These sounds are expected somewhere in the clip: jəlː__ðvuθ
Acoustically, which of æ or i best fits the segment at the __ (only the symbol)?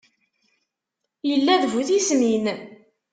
æ